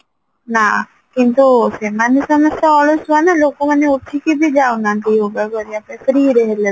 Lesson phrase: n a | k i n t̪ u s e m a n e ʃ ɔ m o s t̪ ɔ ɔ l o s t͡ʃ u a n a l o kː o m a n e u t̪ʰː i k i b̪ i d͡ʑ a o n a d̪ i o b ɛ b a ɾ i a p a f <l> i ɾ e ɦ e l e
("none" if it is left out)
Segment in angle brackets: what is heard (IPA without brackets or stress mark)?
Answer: ɾ